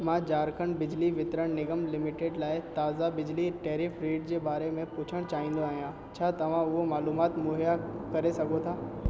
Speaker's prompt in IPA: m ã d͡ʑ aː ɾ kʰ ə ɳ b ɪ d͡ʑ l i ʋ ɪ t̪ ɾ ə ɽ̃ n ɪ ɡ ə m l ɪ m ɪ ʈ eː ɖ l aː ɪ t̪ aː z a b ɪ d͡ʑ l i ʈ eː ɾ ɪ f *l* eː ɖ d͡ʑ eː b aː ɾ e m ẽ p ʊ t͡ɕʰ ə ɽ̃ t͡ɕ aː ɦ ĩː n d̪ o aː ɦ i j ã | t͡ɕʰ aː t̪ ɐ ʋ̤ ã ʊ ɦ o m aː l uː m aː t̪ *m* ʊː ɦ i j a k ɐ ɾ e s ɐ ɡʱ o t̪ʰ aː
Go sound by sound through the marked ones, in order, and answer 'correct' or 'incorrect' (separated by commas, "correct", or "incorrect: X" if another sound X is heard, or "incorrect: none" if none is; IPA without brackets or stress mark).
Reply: incorrect: ɾ, correct